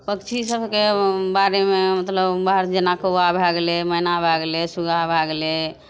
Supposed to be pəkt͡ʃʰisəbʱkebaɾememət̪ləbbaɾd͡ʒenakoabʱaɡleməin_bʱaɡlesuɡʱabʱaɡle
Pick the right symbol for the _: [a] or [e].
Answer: a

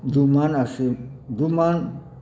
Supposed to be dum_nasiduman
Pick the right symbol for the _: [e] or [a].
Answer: a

